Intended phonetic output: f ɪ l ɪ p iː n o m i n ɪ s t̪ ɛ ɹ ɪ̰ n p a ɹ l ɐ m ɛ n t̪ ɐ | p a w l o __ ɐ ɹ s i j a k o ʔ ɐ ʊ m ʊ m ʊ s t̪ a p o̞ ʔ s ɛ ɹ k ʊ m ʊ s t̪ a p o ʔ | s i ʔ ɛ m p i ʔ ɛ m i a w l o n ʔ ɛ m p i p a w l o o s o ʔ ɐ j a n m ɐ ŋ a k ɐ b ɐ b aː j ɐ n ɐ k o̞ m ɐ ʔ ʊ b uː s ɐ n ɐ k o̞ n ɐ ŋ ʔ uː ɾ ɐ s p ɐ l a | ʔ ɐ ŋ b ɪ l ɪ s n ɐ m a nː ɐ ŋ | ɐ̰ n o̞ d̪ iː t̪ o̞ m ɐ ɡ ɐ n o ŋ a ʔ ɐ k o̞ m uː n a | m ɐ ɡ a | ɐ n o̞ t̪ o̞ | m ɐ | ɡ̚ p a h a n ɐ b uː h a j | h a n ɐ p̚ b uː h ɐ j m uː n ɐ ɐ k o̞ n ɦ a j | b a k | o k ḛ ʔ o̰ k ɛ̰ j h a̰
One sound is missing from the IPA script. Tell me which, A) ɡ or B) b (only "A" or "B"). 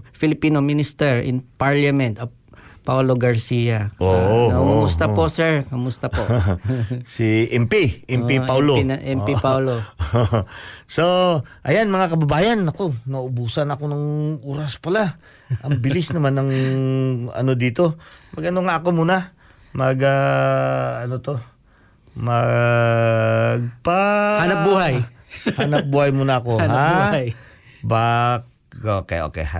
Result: A